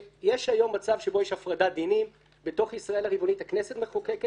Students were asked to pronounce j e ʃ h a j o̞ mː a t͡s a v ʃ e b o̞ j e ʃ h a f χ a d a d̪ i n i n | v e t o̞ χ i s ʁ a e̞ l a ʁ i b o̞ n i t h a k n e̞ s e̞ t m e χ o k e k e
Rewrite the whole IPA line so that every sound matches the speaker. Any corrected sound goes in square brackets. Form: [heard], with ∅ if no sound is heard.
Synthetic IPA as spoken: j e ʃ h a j o̞ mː a t͡s a v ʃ e b o̞ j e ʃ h a f [ʁ] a d a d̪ i n i [m] | [b] e t o̞ χ i s ʁ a e̞ l a ʁ i b o̞ n i t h a k n e̞ s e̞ t m e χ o k e k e